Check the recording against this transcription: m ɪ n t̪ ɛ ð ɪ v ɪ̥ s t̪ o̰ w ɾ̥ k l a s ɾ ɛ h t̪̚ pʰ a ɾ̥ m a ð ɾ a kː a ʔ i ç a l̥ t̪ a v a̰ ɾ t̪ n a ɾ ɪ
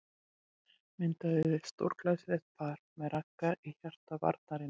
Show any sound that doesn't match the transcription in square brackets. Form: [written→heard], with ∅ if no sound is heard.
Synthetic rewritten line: m ɪ n t̪ [ɛ→a] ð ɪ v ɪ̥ s t̪ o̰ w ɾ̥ k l a s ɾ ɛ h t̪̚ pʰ a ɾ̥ m [a→ɛ] ð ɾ a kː a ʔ i ç a [l̥→r̥] t̪ a v a̰ ɾ t̪ n a ɾ ɪ